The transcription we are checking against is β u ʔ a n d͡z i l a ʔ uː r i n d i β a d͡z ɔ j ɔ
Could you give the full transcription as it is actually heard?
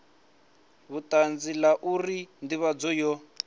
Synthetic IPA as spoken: β u t a n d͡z i l a ʔ u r i n d i β a d͡z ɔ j ɔ